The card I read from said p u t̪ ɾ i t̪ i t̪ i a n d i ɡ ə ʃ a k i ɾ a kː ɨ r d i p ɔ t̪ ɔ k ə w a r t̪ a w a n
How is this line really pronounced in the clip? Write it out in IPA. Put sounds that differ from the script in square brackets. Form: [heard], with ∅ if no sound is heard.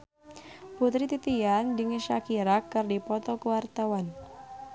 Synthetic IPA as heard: p u t̪ ɾ i t̪ i t̪ i a n d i [ŋ] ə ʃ a k i ɾ a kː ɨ r d i p ɔ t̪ ɔ k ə w a r t̪ a w a n